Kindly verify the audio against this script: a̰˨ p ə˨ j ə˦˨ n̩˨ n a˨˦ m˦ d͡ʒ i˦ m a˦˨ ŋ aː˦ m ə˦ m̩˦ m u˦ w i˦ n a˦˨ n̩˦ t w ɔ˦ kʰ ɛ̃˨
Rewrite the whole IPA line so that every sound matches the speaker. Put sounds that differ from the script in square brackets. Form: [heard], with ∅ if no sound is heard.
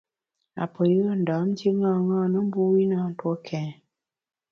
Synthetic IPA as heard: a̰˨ p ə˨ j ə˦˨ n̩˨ [d] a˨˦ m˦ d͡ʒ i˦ [ŋ] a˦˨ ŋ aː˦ [n] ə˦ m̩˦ [b] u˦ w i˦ n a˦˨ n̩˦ t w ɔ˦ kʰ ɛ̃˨